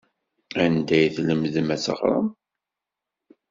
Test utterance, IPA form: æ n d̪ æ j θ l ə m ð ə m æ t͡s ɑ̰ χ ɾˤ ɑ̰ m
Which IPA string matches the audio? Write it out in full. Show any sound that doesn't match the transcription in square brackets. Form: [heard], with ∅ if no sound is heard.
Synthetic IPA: æ n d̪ æ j θ l ə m ð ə m æ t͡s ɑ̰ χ ɾˤ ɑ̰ m